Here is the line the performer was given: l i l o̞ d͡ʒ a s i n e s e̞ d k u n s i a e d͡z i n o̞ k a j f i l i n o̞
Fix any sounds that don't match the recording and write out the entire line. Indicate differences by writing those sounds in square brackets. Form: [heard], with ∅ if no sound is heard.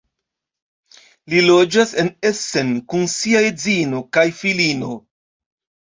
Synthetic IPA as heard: l i l o̞ d͡ʒ a s [e] n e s e̞ [n] k u n s i a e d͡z i n o̞ k a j f i l i n o̞